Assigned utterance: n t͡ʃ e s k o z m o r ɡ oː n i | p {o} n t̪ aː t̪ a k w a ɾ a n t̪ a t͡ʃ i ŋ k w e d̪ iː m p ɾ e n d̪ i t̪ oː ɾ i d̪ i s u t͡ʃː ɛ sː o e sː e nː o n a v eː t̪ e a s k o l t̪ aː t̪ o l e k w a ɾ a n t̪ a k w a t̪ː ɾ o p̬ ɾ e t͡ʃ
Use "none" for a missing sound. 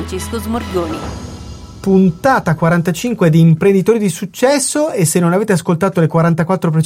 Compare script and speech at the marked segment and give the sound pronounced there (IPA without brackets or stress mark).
u